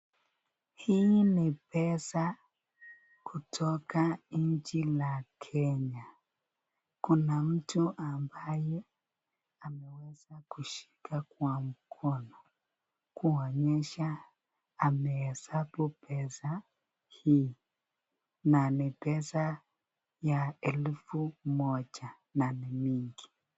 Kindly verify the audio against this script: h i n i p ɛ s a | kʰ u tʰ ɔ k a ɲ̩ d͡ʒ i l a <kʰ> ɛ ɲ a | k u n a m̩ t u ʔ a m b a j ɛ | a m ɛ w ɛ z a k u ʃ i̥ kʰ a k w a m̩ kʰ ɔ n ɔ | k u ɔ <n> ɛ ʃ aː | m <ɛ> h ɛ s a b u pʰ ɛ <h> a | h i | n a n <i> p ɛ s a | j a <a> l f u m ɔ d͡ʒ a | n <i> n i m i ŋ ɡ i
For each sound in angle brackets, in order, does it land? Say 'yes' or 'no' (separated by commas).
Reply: yes, no, yes, no, yes, no, no